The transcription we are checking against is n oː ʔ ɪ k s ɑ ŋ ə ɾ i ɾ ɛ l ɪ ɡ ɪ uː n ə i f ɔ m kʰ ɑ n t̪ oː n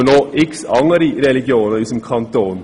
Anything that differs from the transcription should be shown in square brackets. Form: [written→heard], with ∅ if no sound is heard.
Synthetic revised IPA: n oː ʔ ɪ k s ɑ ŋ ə ɾ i ɾ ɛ l ɪ ɡ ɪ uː n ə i [f→s] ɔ m kʰ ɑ n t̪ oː n